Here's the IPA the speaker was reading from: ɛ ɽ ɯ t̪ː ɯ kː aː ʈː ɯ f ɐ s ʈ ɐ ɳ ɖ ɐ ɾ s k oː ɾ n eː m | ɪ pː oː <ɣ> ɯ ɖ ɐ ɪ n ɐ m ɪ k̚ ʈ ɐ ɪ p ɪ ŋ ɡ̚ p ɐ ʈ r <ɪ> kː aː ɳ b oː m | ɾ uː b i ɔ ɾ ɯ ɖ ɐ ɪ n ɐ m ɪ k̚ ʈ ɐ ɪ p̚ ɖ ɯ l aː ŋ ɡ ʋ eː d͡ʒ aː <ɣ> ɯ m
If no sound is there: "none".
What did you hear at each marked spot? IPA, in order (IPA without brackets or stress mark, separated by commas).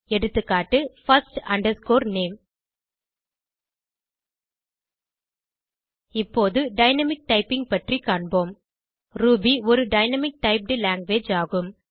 ð, i, ɣ